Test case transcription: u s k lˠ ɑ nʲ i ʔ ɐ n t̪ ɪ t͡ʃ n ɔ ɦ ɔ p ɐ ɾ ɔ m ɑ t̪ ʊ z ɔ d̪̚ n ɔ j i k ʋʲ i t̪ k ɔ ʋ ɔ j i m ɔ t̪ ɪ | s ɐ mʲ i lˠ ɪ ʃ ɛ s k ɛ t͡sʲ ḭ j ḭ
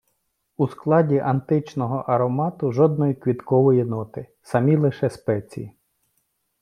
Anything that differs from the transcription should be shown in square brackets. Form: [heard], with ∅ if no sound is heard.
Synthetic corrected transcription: u s k lˠ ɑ [dʲ] i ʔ ɐ n t̪ ɪ t͡ʃ n ɔ ɦ ɔ [ʔ] ɐ ɾ ɔ m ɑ t̪ ʊ [ʒ] ɔ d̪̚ n ɔ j i k ʋʲ i t̪ k ɔ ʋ ɔ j i [n] ɔ t̪ ɪ | s ɐ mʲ i lˠ ɪ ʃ ɛ s [p] ɛ t͡sʲ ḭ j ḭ